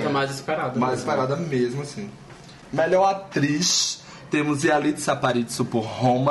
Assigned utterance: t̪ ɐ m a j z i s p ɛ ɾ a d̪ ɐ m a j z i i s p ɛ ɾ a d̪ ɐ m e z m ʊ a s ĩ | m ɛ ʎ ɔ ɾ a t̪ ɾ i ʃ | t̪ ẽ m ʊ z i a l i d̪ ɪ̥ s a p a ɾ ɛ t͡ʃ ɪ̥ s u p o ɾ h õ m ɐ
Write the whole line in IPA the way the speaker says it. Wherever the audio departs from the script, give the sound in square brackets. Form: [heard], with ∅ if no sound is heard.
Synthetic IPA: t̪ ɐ m a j z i s p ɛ ɾ a d̪ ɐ m a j z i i s p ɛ ɾ a d̪ ɐ m e z m ʊ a s ĩ | m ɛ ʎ ɔ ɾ a t̪ ɾ i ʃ | t̪ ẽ m ʊ z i a l i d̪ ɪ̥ s a p a ɾ [i] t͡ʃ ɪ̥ s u p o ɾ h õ m ɐ